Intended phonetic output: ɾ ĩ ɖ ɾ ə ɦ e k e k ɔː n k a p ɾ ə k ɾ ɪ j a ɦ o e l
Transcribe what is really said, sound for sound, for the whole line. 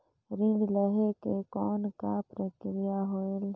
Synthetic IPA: ɾ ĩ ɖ l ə ɦ e k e k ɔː n k a p ɾ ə k ɾ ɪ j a ɦ o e l